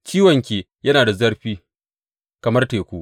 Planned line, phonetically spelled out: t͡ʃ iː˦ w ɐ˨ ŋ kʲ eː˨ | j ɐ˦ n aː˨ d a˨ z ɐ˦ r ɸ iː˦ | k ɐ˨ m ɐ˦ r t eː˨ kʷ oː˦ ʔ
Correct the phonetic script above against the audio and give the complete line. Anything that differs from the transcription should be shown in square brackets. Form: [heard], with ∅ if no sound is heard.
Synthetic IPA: t͡ʃ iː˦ w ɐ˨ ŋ kʲ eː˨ | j ɐ˦ n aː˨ d a˨ z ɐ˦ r ɸ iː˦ | k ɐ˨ m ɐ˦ r t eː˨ kʷ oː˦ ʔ